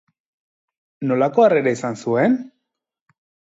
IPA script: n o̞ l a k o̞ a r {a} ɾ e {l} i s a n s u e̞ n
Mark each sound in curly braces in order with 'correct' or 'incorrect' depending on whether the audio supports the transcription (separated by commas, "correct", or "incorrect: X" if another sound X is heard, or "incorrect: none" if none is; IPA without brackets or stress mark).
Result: incorrect: e, incorrect: none